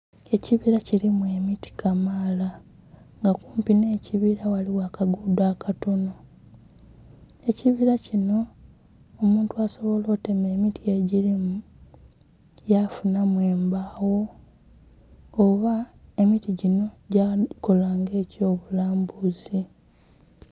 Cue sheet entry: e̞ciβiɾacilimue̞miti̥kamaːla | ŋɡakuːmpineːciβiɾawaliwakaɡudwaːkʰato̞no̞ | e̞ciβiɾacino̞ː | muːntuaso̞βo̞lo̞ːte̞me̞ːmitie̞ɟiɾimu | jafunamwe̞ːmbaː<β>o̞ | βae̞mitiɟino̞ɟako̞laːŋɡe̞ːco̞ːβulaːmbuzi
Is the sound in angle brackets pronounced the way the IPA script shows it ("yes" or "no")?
no